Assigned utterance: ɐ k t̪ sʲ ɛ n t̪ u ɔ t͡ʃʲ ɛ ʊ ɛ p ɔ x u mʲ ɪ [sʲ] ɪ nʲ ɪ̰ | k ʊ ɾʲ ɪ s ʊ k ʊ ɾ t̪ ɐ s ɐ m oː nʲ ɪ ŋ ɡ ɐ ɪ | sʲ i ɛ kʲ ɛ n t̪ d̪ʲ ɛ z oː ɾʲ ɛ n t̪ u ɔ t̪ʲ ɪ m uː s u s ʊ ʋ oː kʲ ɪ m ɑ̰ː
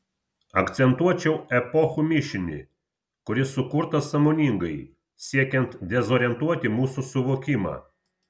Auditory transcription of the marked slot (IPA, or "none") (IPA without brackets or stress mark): ʃʲ